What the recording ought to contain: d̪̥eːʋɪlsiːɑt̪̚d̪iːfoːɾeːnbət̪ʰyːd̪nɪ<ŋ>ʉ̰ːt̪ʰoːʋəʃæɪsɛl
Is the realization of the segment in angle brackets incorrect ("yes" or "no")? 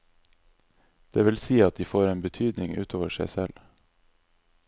no